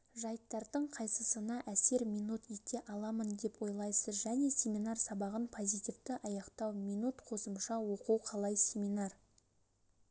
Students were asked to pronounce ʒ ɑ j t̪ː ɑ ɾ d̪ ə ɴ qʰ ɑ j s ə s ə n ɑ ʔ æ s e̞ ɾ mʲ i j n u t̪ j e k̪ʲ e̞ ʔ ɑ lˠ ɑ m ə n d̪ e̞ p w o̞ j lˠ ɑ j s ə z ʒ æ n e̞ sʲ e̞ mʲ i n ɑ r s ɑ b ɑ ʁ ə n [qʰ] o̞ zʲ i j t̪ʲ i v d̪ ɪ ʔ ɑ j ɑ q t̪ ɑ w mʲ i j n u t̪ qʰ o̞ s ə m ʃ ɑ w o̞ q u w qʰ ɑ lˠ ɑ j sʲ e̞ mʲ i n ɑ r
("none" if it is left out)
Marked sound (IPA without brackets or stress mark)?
pʰ